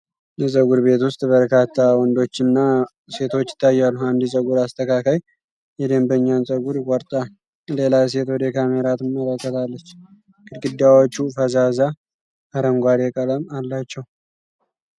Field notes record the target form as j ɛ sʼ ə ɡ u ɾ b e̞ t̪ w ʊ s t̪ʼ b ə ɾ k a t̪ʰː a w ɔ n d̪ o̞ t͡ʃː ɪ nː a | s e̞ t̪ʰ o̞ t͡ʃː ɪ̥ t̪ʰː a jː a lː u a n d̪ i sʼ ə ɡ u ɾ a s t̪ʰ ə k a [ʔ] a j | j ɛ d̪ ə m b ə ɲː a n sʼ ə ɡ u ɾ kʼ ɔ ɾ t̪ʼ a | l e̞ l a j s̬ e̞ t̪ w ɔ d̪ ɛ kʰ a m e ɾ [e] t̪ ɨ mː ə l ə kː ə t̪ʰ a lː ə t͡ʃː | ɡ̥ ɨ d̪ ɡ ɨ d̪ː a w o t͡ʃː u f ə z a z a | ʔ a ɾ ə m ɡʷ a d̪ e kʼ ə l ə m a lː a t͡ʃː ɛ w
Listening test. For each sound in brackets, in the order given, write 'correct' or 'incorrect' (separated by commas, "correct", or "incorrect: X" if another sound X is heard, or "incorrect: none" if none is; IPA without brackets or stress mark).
incorrect: k, incorrect: a